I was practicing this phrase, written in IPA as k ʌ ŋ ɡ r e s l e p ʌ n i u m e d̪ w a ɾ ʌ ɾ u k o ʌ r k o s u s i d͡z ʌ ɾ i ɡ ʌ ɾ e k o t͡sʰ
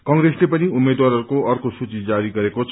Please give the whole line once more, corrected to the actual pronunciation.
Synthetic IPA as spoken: k ʌ ŋ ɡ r e s l e p ʌ n i u m e d̪ w a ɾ ʌ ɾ u k o ʌ r k o s u t͡s i d͡z a ɾ i ɡ ʌ ɾ e k o t͡sʰ